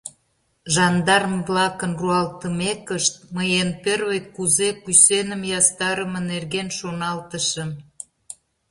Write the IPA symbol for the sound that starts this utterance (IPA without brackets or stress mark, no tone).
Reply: ʒ